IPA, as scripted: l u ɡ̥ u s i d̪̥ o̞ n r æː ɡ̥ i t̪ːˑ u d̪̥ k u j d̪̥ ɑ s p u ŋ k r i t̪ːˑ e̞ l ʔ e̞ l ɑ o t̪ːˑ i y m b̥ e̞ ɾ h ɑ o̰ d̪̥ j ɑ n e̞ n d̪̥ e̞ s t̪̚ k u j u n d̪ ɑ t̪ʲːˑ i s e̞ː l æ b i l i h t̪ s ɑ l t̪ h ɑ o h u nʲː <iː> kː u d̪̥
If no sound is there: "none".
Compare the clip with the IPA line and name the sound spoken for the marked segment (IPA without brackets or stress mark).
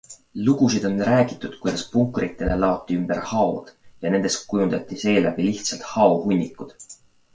i